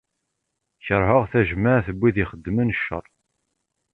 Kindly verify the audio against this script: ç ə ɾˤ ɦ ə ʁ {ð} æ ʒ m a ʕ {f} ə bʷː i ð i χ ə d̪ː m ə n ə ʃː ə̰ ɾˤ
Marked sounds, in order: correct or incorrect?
incorrect: θ, incorrect: θ

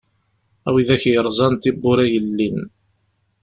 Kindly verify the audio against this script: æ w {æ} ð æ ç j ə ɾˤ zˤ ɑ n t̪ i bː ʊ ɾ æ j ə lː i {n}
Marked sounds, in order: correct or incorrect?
incorrect: i, correct

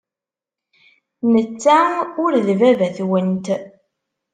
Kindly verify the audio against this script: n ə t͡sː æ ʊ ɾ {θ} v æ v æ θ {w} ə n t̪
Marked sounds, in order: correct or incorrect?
incorrect: ð, correct

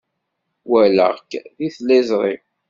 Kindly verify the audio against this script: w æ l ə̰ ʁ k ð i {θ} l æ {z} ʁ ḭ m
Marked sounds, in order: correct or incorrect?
correct, correct

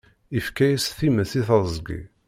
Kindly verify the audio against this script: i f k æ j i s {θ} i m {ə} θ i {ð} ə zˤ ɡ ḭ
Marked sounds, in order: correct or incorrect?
correct, correct, incorrect: θ

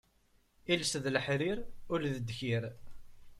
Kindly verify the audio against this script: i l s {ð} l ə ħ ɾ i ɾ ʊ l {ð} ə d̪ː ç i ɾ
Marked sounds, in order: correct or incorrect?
correct, correct

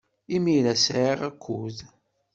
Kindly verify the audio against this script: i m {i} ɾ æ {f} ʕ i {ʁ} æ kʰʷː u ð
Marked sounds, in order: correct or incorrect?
correct, incorrect: s, correct

